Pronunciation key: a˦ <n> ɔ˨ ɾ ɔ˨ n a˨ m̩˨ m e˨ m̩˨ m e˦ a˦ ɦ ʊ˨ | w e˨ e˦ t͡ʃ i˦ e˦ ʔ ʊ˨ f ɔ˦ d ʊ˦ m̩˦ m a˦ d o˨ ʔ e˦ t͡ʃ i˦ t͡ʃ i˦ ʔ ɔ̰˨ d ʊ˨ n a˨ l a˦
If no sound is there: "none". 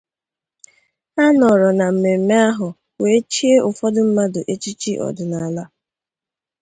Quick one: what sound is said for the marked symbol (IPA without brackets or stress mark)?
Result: n